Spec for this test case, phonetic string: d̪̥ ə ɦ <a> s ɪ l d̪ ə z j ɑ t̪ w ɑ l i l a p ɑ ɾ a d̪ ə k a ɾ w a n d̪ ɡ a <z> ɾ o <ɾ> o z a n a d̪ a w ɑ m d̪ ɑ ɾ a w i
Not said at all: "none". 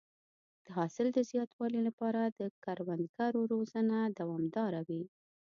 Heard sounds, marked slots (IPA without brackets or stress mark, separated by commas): ɑ, none, ɾ